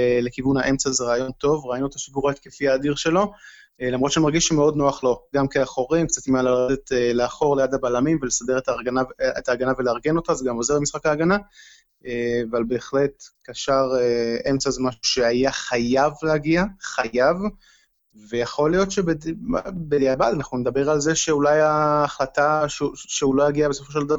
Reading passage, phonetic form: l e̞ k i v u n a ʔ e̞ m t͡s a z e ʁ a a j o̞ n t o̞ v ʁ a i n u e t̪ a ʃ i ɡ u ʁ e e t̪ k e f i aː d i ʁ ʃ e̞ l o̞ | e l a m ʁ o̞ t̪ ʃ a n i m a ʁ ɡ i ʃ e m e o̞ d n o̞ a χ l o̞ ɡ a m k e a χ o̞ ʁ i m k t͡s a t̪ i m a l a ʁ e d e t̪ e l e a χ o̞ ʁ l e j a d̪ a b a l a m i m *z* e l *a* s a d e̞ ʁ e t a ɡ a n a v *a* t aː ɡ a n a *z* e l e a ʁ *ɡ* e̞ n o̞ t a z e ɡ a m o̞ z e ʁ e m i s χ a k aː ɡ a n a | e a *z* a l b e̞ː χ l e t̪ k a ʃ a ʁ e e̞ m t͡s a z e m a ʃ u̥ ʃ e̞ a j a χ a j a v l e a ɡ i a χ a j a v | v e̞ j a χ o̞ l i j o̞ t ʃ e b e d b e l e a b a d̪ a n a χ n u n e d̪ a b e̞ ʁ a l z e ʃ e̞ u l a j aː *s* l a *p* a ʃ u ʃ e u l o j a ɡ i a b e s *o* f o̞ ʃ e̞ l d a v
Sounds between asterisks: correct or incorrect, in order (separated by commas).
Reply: incorrect, incorrect, incorrect, incorrect, correct, incorrect, incorrect, incorrect, correct